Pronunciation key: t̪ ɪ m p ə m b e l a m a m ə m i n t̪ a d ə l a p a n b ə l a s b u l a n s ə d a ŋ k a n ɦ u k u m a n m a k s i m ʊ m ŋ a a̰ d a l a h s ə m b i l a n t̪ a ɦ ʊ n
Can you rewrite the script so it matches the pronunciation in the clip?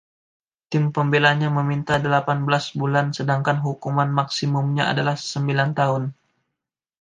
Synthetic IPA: t̪ ɪ m p ə m b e l a ɲ a m ə m i n t̪ a d ə l a p a n b ə l a s b u l a n s ə d a ŋ k a n ɦ u k u m a n m a k s i m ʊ m ɲ a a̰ d a l a h s ə m b i l a n t̪ a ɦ ʊ n